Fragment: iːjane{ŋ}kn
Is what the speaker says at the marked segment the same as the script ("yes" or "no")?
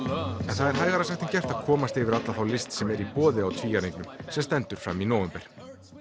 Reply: yes